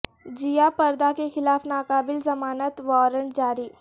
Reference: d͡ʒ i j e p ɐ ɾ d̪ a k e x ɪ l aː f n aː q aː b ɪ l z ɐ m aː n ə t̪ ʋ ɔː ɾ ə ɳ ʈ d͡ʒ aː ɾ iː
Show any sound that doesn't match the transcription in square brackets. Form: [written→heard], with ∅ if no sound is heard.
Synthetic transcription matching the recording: d͡ʒ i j [e→a] p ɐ ɾ d̪ a k e x ɪ l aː f n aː [q→k] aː b ɪ l z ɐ m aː n ə t̪ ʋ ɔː ɾ ə ɳ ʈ d͡ʒ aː ɾ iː

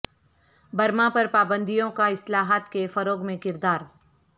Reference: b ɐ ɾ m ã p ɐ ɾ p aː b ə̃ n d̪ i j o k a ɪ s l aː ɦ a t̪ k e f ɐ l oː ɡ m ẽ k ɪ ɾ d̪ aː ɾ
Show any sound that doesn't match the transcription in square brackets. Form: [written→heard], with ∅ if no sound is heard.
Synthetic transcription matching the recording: b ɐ ɾ m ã p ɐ ɾ p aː b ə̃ n d̪ i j [o→õ] k a ɪ s l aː ɦ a t̪ k e f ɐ [l→ɾ] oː ɡ m ẽ k ɪ ɾ d̪ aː ɾ

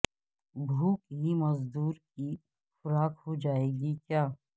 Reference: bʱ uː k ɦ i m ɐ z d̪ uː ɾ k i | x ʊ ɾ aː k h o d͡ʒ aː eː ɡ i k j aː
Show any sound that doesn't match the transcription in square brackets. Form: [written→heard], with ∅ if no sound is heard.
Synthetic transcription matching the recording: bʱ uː k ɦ i m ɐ z d̪ uː ɾ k i | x ʊ ɾ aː k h o d͡ʒ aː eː ɡ i k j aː

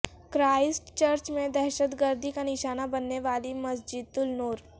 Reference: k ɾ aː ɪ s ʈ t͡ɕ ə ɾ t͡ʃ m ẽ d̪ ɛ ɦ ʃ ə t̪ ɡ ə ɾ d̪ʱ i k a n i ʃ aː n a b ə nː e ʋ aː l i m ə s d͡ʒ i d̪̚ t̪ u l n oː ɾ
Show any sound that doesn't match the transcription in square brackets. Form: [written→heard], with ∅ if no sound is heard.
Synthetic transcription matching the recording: k ɾ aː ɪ s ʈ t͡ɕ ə ɾ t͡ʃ m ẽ d̪ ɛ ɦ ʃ ə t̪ ɡ ə ɾ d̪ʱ i k a n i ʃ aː n a b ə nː e ʋ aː l i m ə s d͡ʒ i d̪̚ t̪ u l n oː ɾ

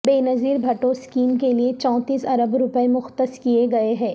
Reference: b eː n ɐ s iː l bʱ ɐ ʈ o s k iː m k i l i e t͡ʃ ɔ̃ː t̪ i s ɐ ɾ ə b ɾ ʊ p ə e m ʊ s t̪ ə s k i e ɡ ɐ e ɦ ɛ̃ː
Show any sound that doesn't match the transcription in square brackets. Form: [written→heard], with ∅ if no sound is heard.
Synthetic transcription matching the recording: b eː n ɐ [s→z] iː [l→ɾ] bʱ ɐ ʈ o s k iː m k [i→e] l i e t͡ʃ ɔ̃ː t̪ [i→iː] s ɐ ɾ ə b ɾ ʊ p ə e m ʊ [s→x] t̪ ə s k i e ɡ ɐ e ɦ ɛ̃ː

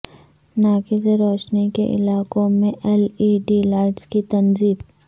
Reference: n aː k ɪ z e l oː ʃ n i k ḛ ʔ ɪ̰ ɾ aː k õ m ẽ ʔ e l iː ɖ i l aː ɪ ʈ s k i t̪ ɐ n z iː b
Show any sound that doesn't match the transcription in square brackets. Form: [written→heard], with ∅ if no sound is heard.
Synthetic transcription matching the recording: n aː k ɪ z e [l→ɾ] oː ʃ n i k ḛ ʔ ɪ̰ [ɾ→l] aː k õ m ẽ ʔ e l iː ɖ i l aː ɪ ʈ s k i t̪ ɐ n z iː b

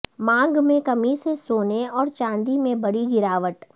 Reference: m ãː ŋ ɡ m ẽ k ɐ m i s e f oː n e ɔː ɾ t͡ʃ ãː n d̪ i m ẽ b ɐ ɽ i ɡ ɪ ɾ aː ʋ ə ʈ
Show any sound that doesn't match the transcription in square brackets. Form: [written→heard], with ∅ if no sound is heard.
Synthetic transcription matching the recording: m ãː ŋ ɡ m ẽ k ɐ m i s e [f→s] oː n e ɔː ɾ t͡ʃ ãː n d̪ i m ẽ b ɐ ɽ i ɡ ɪ ɾ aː ʋ ə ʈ

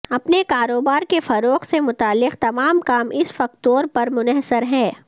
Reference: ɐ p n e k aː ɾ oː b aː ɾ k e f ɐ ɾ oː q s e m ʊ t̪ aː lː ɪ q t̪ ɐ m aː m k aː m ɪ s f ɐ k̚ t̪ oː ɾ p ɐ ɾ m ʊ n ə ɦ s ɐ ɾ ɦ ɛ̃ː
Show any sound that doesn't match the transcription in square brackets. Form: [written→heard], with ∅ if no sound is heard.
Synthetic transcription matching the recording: ɐ p n e k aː ɾ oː b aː ɾ k e f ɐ ɾ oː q s e m ʊ t̪ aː lː ɪ q t̪ ɐ m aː m k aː m ɪ s f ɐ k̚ t̪ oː ɾ p ɐ ɾ m ʊ n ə ɦ s [ɐ→ə] ɾ ɦ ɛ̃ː

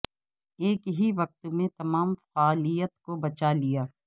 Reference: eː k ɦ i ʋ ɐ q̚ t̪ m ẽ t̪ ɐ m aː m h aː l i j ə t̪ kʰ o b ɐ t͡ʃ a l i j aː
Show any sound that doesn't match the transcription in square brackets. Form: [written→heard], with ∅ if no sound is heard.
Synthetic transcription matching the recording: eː k ɦ i ʋ ɐ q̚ t̪ m ẽ t̪ ɐ m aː m [h→f] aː l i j ə t̪ [kʰ→k] o b ɐ t͡ʃ a l i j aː

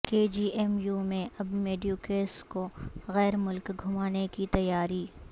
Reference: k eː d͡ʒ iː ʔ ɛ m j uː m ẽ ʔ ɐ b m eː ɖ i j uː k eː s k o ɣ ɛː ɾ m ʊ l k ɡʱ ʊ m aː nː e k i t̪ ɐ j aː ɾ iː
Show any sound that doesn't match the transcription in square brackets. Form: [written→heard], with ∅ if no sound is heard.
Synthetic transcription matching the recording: k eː d͡ʒ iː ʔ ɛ m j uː m ẽ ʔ ɐ b m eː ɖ i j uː k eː s k o ɣ ɛː ɾ m ʊ l k ɡʱ ʊ m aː [nː→n] e k i t̪ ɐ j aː ɾ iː

